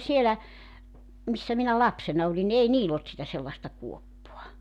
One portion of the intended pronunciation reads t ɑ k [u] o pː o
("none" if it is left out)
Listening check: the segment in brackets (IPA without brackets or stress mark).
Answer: u